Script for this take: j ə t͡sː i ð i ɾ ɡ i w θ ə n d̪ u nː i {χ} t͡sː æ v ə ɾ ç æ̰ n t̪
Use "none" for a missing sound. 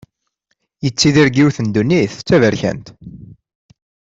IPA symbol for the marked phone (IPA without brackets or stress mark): θ